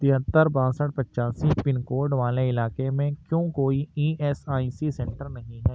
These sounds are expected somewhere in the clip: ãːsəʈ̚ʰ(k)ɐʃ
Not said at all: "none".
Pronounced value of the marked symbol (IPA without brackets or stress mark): p